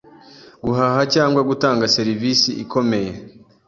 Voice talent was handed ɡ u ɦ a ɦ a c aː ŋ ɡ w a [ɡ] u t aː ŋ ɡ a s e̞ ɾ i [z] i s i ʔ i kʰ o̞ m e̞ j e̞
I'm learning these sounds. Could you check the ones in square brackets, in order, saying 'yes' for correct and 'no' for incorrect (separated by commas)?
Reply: yes, no